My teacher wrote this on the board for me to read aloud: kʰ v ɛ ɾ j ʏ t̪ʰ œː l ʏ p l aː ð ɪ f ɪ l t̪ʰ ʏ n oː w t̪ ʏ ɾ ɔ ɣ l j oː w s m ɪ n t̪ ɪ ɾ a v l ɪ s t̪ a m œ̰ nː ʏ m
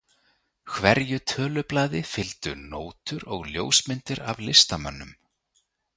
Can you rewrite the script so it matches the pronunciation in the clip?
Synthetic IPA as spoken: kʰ v ɛ ɾ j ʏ t̪ʰ œː l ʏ p l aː ð ɪ f ɪ l t̪ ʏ n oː w t̪ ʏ ɾ ɔ ɣ l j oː w s m ɪ n t̪ ɪ ɾ a v l ɪ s t̪ a m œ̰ nː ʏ m